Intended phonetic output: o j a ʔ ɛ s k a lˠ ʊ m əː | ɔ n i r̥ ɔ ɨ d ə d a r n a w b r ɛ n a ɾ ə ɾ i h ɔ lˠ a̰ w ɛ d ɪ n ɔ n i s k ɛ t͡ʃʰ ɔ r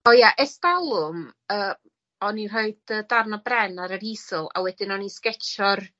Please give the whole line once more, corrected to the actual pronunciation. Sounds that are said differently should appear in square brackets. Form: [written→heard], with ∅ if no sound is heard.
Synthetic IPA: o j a ʔ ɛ s [k→t] a lˠ ʊ m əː | ɔ n i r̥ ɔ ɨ d ə d a r n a [w→∅] b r ɛ n a ɾ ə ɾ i [h→s] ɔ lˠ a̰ w ɛ d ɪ n ɔ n i s k ɛ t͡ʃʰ ɔ r